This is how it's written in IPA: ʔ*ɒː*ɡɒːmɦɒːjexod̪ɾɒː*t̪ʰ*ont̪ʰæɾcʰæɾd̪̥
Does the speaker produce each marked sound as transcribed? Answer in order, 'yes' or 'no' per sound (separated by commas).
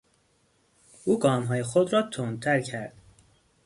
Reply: no, yes